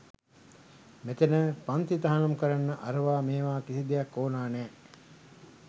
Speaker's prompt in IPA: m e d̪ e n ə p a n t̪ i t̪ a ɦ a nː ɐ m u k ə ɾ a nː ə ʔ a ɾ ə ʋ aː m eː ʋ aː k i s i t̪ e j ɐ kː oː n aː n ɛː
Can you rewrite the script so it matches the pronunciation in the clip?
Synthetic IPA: m e t̪ e n ə p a n t̪ i t̪ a ɦ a n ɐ m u k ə ɾ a nː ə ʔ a ɾ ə ʋ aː m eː ʋ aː k i s i d̪ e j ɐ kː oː n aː n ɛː